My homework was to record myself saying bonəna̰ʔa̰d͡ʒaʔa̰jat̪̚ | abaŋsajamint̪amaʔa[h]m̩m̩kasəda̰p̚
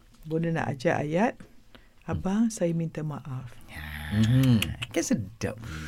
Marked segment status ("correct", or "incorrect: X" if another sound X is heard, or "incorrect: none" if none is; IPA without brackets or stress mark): incorrect: f